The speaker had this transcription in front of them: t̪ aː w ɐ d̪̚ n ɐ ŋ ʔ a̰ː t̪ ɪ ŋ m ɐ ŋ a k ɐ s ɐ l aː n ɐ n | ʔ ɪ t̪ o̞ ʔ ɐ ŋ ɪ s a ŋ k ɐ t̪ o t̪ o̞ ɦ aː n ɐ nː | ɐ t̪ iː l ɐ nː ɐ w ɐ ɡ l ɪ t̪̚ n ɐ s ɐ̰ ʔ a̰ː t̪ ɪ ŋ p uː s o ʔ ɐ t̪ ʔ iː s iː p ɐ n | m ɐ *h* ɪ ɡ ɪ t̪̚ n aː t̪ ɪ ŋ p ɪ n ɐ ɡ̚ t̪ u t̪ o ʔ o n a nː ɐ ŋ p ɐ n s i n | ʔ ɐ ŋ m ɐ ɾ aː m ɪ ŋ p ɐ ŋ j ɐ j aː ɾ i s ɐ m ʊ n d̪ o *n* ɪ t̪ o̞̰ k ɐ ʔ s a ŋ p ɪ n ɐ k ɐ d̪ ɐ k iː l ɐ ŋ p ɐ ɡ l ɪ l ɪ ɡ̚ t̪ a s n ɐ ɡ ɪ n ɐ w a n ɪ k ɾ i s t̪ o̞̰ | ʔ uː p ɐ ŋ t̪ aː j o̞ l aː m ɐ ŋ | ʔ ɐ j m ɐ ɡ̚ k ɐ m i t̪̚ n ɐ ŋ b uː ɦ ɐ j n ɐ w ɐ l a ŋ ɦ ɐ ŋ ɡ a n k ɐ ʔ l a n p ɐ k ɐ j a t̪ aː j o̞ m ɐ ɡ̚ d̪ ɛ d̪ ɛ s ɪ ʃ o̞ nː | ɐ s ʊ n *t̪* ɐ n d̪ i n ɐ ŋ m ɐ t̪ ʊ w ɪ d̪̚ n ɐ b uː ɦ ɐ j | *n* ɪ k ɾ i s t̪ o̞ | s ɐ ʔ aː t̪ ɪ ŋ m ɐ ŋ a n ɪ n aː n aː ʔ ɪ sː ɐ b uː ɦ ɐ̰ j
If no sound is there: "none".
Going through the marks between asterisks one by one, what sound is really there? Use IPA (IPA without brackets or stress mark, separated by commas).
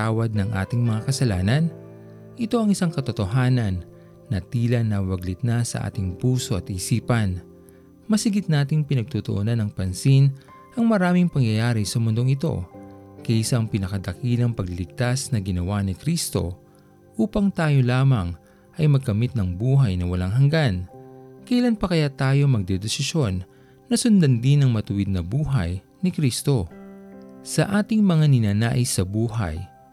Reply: s, ŋ, d̪, n